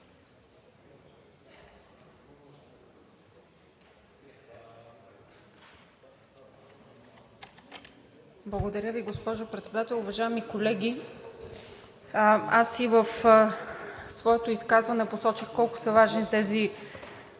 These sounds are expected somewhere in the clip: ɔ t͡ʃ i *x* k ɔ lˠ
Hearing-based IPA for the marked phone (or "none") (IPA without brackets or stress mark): x